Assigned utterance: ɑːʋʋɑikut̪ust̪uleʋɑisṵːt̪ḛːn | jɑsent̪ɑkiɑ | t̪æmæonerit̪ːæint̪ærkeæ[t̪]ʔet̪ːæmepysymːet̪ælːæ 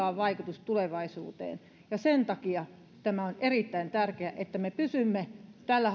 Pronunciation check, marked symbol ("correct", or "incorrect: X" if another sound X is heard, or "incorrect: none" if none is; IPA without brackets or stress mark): incorrect: none